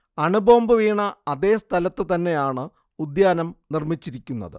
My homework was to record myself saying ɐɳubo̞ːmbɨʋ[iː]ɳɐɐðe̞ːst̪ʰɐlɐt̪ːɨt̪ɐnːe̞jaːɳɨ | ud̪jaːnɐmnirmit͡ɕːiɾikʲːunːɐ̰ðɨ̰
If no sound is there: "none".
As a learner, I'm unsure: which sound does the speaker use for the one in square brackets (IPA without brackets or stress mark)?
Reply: iː